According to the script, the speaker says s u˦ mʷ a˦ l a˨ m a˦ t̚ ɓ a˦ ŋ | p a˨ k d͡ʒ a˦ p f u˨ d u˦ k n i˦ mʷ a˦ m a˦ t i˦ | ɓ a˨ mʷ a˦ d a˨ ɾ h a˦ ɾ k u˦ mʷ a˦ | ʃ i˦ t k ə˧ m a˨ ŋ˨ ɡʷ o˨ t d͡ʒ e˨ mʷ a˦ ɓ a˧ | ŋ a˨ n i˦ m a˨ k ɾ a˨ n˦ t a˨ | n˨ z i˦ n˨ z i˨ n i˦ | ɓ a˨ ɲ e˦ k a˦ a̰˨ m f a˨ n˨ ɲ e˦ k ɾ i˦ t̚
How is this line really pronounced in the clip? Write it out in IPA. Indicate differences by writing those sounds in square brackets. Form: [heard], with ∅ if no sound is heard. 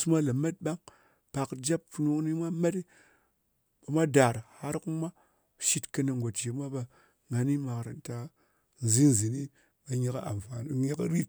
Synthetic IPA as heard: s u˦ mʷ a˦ l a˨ m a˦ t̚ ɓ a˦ ŋ | p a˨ k d͡ʒ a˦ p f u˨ [n] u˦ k n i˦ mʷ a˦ m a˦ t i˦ | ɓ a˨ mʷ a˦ d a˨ ɾ h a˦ ɾ k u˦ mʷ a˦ | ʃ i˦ t k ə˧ [n] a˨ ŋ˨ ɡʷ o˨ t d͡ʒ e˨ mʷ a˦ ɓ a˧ | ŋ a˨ n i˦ m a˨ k ɾ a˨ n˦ t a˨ | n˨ z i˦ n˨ z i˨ n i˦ | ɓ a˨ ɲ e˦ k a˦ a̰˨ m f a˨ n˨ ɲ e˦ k ɾ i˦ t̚